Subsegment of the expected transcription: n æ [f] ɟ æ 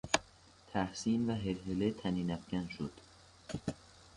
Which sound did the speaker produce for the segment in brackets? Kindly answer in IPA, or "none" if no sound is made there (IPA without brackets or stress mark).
f